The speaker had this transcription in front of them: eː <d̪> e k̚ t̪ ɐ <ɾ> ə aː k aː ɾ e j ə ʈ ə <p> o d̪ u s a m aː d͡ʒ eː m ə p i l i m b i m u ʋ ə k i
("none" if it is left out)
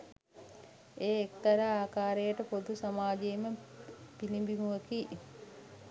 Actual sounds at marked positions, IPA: none, ɾ, p

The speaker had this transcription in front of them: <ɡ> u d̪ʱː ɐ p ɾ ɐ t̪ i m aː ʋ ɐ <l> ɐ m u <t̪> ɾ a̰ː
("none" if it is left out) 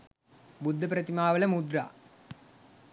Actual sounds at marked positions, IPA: b, l, d̪

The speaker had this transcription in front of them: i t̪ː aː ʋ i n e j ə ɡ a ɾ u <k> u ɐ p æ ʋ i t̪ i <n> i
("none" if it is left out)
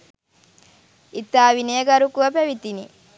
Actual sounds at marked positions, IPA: k, n

